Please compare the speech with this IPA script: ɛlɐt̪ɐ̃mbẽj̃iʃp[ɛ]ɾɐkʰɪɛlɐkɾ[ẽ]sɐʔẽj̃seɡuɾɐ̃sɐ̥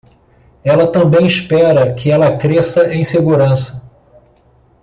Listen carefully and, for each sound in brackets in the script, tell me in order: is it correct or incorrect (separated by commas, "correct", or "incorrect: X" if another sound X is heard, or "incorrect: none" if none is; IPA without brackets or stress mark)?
correct, incorrect: e